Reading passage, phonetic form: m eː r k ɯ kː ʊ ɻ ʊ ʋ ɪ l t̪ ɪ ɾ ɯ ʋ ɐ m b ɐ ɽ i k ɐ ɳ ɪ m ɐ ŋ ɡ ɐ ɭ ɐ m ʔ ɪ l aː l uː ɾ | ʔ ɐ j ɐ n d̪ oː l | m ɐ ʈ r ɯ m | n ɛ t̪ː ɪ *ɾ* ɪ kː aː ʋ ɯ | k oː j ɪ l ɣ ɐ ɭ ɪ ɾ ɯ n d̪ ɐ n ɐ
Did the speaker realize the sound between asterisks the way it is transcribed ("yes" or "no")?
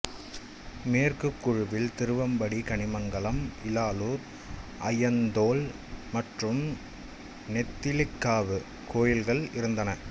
no